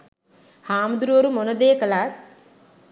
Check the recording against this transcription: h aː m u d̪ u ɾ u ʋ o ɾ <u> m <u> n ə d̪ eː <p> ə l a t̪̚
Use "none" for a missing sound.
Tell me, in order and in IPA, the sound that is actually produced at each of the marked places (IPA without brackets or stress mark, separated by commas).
u, o, k